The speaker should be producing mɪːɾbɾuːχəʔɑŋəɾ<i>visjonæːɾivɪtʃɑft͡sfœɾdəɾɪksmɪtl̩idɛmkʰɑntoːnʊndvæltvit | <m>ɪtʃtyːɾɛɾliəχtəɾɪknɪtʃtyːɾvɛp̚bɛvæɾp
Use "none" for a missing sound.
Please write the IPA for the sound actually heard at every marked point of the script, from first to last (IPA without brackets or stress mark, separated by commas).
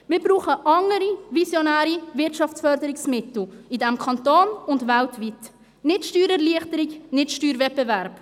i, n